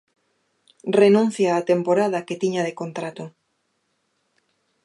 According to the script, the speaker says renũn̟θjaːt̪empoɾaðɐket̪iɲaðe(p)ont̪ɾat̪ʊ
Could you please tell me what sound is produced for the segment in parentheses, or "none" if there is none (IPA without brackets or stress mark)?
k